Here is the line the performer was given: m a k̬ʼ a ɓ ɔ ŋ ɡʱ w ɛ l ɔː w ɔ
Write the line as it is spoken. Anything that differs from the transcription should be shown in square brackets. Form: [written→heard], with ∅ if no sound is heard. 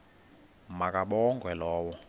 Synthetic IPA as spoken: m a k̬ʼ a ɓ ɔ ŋ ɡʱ w ɛ l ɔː w ɔ